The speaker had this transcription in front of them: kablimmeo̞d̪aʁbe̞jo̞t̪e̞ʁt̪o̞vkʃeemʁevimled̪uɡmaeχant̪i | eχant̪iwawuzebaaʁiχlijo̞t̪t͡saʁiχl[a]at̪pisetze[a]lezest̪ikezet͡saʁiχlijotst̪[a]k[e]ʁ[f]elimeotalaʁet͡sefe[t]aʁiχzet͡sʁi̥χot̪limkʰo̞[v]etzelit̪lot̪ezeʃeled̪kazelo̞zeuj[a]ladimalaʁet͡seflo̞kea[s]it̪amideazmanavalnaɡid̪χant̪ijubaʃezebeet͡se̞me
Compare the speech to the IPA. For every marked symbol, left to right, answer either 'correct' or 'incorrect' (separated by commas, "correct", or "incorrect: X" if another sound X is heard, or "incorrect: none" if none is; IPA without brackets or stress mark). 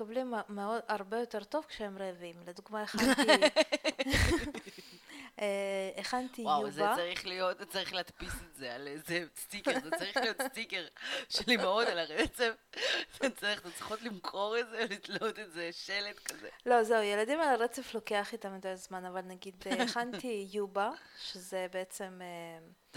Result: incorrect: e, correct, incorrect: i, correct, incorrect: ʃ, incorrect: t͡s, incorrect: ʁ, incorrect: e, incorrect: χ